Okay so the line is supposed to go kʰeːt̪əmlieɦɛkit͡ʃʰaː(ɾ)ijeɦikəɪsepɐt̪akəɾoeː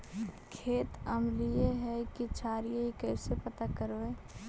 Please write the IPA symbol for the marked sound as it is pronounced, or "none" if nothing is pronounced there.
ɾ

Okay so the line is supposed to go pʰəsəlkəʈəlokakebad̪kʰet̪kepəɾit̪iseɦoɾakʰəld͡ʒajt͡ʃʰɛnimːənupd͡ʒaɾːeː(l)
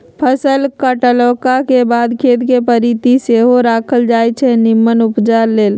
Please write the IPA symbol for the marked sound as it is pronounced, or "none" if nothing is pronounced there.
l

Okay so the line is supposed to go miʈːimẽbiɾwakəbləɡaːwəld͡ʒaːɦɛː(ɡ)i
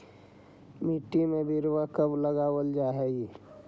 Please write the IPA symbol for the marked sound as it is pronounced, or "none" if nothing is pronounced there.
ɡ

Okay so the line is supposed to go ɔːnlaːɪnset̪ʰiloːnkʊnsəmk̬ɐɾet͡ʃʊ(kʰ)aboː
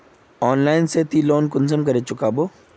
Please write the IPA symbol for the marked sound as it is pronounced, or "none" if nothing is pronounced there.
k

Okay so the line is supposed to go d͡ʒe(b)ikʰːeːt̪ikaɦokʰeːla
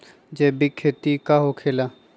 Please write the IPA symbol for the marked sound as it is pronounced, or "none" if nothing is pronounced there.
b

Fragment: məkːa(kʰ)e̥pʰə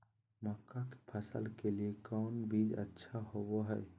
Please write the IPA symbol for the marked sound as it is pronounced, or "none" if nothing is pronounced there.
k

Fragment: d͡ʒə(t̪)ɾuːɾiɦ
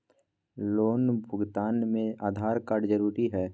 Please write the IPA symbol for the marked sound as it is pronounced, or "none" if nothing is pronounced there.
none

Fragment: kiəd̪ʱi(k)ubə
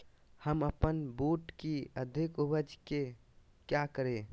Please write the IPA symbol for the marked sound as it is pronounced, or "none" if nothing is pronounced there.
k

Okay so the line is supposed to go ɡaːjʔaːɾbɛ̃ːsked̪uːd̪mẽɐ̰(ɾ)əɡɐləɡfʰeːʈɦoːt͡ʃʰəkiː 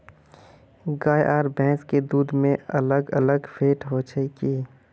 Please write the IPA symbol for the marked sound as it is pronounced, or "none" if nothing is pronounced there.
l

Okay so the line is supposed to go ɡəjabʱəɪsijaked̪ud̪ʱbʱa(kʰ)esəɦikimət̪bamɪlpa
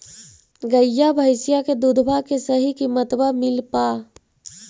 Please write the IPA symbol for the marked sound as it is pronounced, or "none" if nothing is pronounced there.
k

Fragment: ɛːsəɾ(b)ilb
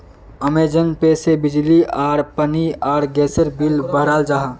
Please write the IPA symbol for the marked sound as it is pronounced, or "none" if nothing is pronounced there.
b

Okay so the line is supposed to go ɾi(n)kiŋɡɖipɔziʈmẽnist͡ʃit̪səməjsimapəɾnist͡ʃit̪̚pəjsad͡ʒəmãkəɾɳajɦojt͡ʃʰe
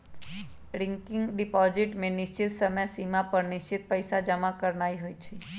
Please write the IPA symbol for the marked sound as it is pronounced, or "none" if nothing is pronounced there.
ŋ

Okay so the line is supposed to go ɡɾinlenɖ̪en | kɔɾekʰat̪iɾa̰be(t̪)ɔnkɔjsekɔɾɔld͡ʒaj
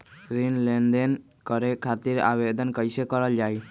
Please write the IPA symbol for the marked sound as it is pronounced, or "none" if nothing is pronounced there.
d̪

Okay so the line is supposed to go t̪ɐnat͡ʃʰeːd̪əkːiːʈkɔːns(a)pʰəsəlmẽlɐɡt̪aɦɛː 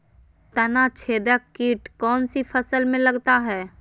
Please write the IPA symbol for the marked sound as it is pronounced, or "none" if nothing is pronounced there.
i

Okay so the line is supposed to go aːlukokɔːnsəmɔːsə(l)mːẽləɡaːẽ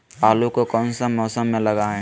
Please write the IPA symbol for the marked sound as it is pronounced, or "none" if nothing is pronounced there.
none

